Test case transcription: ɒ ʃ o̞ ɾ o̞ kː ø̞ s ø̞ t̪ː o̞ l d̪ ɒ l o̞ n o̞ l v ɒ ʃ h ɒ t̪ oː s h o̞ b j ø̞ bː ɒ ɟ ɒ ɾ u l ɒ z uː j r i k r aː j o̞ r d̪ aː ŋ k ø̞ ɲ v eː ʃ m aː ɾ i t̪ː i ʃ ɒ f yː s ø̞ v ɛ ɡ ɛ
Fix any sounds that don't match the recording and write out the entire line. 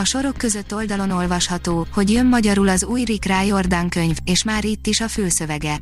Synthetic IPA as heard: ɒ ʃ o̞ ɾ o̞ kː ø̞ z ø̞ t̪ː o̞ l d̪ ɒ l o̞ n o̞ l v ɒ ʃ h ɒ t̪ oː h o̞ ɟ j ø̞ mː ɒ ɟ ɒ ɾ u l ɒ z uː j r i k r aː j o̞ r d̪ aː ŋ k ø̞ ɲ v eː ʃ m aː ɾ i t̪ː i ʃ ɒ f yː s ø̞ v ɛ ɡ ɛ